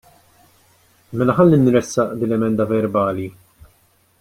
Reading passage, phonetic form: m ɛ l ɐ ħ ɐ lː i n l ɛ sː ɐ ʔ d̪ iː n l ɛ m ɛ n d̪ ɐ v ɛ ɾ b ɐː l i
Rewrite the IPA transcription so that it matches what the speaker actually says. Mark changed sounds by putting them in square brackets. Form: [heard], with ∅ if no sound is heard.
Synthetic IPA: m ɛ l ɐ ħ ɐ lː i n [ɾ] ɛ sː ɐ ʔ d̪ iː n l ɛ m ɛ n d̪ ɐ v ɛ ɾ b ɐː l i